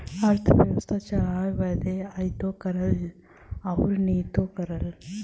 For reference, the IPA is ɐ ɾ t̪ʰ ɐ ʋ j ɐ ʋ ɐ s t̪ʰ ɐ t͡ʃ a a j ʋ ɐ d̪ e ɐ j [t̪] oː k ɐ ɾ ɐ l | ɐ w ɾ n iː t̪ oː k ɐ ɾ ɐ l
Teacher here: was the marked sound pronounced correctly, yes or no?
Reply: yes